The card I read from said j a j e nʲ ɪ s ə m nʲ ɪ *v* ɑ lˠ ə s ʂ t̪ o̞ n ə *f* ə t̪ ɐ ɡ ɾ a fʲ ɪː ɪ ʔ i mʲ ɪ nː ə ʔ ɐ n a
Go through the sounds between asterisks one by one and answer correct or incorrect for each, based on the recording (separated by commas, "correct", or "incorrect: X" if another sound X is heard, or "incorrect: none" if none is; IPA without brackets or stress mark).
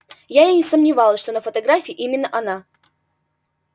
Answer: correct, correct